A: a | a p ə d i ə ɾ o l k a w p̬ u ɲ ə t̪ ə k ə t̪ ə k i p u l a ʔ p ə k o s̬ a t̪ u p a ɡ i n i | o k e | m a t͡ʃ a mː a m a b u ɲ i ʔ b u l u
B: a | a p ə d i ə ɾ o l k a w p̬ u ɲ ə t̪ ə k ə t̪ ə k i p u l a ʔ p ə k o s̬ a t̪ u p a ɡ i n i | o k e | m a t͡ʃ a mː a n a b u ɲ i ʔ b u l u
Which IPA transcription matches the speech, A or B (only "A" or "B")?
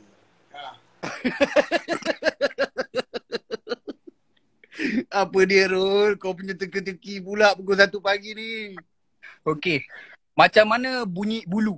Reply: B